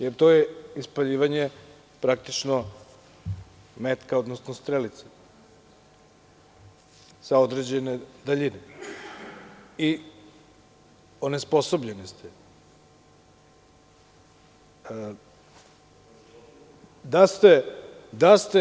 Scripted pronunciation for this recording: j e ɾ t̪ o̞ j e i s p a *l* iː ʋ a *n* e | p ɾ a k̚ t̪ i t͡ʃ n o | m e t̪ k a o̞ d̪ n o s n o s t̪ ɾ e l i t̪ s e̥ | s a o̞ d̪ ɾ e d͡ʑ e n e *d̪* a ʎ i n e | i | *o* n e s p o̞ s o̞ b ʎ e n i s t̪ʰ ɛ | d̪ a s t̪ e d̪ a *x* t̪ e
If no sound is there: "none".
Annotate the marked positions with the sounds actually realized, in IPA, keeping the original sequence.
ʎ, ɲ, d̪, o, s

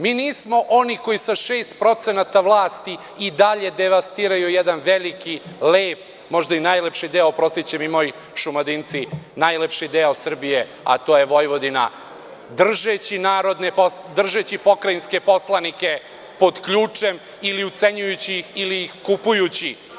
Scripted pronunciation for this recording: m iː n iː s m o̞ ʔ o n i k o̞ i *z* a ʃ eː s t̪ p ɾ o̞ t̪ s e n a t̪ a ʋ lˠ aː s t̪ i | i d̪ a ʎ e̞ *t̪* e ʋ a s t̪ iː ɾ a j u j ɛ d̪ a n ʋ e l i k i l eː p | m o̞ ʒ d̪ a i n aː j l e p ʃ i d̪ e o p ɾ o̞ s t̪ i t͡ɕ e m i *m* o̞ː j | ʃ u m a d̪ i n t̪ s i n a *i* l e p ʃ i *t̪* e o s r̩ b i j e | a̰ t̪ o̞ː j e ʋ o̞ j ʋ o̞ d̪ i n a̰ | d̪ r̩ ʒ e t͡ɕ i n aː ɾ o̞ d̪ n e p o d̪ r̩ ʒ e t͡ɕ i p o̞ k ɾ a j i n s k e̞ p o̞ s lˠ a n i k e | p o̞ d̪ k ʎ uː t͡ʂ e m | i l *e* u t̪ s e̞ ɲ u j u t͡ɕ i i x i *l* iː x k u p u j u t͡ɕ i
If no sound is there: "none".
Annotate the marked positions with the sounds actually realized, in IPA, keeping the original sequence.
s, d̪, m, j, d̪, i, l

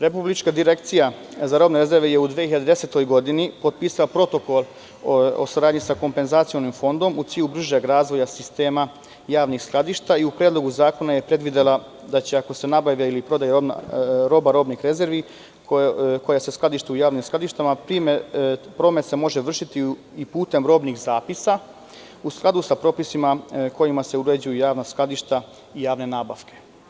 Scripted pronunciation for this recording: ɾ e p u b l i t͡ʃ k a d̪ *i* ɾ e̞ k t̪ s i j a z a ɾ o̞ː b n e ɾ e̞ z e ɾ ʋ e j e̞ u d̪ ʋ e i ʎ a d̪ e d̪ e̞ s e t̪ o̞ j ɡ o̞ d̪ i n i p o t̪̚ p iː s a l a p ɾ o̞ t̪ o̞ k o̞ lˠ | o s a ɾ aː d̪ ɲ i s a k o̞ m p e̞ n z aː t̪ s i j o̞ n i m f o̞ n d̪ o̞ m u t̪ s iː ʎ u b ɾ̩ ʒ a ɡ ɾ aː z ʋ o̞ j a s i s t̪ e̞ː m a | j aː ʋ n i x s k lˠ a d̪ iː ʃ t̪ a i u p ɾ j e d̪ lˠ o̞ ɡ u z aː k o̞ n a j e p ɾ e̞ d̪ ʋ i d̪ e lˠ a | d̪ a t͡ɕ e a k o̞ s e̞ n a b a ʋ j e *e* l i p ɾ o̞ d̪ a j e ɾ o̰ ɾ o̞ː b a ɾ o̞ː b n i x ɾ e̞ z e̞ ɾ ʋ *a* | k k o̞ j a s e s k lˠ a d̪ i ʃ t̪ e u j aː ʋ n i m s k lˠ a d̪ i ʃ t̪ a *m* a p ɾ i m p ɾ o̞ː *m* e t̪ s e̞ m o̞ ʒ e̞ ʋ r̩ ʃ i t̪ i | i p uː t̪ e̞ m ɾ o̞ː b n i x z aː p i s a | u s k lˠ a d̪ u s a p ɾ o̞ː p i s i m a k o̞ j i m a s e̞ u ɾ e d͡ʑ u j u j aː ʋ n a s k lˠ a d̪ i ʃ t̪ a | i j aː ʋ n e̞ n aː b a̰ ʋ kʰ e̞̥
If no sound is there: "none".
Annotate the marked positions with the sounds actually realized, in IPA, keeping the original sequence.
i, i, i, m, m

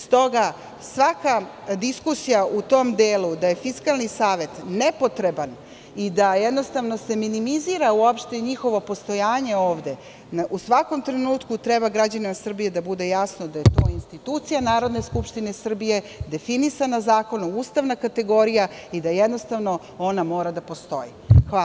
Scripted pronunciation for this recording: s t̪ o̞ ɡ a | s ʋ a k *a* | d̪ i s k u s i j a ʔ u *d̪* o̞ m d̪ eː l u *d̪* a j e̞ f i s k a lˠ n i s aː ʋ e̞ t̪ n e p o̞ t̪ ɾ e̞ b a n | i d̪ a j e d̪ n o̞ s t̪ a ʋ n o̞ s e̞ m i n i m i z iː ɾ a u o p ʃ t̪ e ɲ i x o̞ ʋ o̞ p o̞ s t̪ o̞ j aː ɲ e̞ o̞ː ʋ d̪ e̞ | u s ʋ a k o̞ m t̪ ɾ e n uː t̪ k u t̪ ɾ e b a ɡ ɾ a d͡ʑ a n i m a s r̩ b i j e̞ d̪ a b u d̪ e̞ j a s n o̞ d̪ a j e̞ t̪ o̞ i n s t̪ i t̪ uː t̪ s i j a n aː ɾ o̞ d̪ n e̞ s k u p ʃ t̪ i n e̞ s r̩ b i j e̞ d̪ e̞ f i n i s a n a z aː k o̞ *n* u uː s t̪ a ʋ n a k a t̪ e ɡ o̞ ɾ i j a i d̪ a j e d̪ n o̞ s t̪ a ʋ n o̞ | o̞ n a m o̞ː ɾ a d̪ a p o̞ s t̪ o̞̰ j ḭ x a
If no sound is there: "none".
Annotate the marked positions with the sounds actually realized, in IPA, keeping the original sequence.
a, t̪, d̪, n

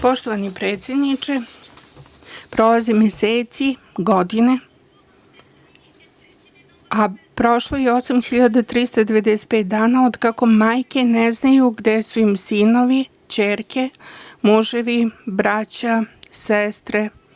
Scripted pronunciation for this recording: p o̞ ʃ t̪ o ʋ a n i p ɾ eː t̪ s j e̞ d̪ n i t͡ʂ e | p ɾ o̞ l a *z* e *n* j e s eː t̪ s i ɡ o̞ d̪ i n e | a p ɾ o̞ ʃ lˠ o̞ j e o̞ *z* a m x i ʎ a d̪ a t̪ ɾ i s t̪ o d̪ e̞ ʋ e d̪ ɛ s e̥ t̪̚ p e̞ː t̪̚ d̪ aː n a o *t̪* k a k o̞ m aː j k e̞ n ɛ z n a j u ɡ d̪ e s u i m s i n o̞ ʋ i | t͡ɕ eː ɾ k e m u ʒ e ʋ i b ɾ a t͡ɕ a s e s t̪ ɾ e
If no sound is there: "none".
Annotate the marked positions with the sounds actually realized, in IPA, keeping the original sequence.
z, m, s, d̪

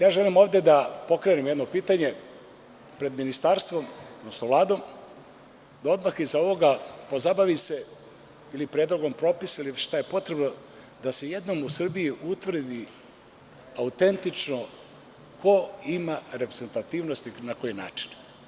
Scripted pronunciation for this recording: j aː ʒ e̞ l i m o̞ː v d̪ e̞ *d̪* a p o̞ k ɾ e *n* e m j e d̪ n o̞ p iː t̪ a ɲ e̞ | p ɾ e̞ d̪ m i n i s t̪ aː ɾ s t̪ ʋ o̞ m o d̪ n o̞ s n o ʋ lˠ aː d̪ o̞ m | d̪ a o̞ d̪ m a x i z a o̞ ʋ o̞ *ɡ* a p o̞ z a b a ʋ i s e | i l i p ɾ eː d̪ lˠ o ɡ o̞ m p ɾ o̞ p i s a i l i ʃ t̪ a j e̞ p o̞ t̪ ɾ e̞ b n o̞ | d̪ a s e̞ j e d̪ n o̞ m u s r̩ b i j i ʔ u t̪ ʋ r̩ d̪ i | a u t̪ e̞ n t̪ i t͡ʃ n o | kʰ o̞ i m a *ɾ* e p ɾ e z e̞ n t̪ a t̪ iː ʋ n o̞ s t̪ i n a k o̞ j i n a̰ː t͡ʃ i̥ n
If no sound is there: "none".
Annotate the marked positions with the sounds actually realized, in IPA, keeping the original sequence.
d̪, n, ɡ, ɾ

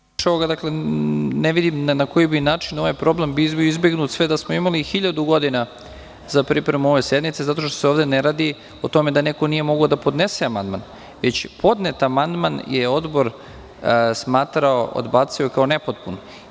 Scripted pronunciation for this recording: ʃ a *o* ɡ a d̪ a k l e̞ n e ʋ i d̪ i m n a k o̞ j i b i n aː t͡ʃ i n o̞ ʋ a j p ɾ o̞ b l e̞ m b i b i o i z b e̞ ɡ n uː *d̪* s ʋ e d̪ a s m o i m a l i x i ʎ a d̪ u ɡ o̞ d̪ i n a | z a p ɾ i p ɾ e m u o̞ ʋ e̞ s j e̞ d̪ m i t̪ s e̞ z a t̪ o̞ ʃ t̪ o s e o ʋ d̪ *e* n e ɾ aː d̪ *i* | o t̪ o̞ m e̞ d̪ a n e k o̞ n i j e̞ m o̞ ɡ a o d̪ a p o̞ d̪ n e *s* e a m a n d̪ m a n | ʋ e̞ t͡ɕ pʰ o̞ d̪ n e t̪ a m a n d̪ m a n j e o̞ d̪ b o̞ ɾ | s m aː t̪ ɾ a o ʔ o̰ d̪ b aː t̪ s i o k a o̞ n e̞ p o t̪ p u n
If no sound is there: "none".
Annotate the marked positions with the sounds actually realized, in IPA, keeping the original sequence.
o, t̪, e, i, s

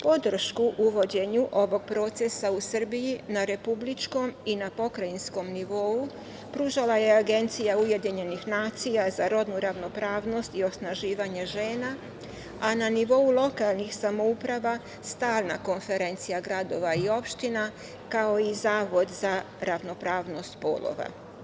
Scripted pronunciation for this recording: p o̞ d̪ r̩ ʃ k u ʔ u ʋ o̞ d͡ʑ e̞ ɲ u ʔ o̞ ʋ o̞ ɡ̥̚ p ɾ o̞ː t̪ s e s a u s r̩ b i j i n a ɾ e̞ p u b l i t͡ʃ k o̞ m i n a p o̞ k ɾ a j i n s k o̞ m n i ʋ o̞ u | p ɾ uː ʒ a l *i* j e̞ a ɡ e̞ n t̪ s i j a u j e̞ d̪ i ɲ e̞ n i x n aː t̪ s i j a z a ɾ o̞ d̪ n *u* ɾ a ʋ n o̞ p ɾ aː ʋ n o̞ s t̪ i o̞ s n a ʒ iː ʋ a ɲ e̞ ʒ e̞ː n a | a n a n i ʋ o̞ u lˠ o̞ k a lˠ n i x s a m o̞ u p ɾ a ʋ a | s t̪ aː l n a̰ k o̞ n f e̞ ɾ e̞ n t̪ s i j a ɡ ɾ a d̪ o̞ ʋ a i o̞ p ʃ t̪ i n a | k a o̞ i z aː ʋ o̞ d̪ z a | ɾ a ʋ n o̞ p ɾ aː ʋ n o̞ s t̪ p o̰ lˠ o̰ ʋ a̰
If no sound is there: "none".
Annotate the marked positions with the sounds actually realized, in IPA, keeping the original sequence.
a, u

